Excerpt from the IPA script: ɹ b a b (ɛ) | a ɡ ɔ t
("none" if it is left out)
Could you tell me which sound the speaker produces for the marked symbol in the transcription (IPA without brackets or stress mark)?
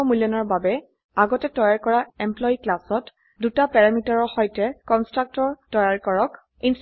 ɛ